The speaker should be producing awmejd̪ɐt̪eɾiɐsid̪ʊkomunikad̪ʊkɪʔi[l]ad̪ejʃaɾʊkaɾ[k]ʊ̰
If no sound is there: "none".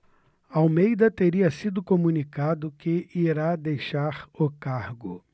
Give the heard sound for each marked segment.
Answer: ɾ, ɡ

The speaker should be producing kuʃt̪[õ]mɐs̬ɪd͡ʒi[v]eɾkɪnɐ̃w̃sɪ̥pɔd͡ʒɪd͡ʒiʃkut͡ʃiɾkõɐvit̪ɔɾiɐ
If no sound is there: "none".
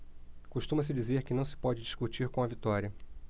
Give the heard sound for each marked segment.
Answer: ũ, z

